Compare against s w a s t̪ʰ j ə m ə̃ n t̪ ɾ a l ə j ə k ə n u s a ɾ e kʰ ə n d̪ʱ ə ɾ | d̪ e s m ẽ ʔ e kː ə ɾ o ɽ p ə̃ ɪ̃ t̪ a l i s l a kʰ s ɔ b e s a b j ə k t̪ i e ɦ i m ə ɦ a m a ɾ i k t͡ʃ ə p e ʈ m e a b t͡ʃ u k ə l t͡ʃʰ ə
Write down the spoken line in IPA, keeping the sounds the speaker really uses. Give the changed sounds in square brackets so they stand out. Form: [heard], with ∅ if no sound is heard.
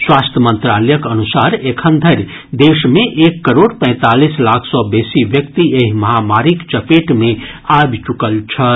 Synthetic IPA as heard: s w a s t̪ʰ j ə m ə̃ n t̪ ɾ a l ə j ə k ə n u s a ɾ e kʰ ə n d̪ʱ ə ɾ | d̪ e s m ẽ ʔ e kː ə ɾ o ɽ p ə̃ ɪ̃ t̪ a l i s l a kʰ s ɔ b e s [i] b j ə k t̪ i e ɦ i m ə ɦ a m a ɾ i k t͡ʃ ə p e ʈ m e a b t͡ʃ u k ə l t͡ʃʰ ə